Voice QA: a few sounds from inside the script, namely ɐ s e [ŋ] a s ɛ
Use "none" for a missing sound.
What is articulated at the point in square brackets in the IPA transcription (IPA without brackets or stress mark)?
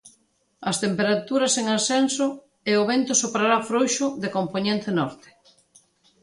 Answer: ŋ